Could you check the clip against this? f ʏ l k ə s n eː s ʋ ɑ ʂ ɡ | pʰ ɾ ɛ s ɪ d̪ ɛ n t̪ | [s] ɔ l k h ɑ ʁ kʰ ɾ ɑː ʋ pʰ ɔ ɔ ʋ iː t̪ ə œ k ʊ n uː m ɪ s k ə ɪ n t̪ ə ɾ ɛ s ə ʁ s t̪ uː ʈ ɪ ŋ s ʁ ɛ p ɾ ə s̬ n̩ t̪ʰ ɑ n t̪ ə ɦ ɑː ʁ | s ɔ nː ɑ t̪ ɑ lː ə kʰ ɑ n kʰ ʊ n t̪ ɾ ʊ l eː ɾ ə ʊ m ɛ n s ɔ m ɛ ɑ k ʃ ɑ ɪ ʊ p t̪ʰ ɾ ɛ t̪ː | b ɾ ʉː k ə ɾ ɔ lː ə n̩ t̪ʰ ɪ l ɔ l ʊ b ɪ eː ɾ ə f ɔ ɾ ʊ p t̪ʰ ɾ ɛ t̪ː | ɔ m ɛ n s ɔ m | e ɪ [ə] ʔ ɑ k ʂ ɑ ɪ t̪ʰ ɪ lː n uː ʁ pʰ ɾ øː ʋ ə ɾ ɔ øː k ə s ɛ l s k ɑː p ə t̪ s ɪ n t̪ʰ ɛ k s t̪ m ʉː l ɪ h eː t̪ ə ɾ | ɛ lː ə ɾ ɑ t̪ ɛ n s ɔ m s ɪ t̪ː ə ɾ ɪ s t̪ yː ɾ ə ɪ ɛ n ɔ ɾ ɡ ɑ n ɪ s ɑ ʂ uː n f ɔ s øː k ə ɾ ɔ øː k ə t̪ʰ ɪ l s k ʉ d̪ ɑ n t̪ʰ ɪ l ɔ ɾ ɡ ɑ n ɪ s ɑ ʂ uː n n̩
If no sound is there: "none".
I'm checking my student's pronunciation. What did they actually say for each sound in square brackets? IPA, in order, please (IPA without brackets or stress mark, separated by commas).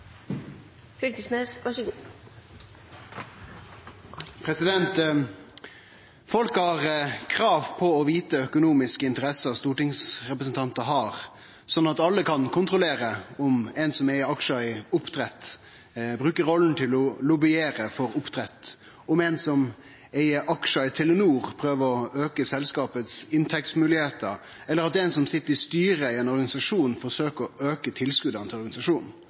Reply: f, ə